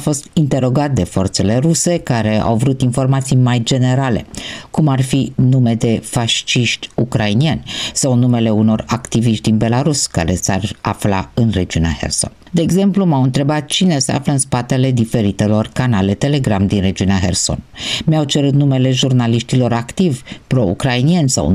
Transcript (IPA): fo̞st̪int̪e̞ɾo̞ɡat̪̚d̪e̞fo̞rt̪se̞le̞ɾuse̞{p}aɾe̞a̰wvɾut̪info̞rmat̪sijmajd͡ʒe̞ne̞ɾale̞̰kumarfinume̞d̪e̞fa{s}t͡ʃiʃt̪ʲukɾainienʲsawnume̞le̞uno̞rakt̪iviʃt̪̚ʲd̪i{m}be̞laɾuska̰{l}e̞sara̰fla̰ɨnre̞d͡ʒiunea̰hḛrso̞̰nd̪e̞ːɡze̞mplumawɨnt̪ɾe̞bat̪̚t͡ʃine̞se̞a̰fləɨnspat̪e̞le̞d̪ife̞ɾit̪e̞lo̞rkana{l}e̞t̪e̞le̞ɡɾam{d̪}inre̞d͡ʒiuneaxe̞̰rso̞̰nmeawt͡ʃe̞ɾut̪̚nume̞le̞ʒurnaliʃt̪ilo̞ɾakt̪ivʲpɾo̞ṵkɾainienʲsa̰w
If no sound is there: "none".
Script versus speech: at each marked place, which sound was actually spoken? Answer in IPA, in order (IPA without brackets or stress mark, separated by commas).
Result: k, ʃ, n, ɾ, l, d̪